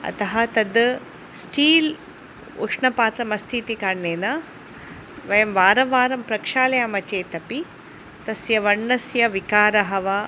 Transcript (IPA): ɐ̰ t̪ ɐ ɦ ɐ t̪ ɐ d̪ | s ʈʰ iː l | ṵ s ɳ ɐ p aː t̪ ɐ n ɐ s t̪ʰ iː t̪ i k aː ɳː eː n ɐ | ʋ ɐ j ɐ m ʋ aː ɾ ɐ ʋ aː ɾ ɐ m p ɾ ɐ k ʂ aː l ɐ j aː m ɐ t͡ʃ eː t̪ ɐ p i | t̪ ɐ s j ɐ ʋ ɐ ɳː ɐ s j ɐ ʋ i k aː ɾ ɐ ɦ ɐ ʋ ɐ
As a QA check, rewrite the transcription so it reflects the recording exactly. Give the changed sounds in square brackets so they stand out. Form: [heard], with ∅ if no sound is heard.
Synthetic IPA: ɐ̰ t̪ ɐ ɦ ɐ t̪ ɐ d̪ | s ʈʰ iː l | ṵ [ʂ] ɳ ɐ p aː t̪ ɐ [m] ɐ s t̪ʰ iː t̪ i k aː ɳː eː n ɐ | ʋ ɐ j ɐ m ʋ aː ɾ ɐ ʋ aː ɾ ɐ m p ɾ ɐ k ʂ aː l ɐ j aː m ɐ t͡ʃ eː t̪ ɐ p i | t̪ ɐ s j ɐ ʋ ɐ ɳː ɐ s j ɐ ʋ i k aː ɾ ɐ ɦ ɐ ʋ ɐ